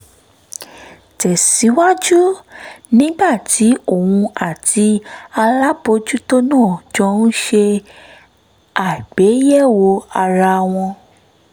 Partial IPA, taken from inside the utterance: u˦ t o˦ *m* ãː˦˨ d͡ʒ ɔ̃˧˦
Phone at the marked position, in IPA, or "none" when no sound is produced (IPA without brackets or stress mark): n